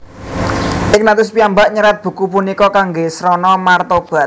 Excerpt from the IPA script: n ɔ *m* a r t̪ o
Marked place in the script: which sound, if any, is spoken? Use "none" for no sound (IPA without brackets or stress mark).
m